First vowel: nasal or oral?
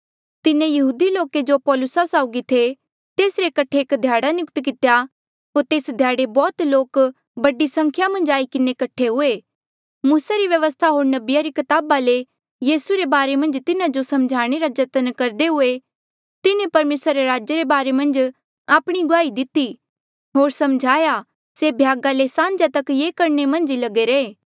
oral